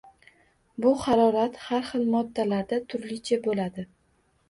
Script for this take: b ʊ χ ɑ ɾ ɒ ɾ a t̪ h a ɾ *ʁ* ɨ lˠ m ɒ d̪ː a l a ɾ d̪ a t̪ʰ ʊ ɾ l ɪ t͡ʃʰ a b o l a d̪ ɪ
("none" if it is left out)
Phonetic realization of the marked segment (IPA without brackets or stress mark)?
χ